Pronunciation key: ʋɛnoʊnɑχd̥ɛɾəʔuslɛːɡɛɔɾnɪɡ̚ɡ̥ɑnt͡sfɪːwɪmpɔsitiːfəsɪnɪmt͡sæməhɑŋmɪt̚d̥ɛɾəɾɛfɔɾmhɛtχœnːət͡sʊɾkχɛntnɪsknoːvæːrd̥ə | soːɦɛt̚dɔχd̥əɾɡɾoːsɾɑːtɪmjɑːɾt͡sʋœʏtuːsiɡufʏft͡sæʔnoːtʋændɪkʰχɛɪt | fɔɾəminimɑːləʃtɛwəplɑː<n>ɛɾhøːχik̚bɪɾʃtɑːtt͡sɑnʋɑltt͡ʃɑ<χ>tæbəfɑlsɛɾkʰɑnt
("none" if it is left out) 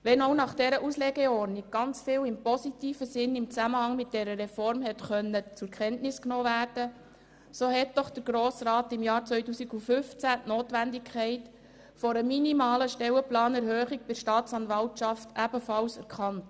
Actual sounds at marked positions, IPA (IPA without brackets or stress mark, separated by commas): n, f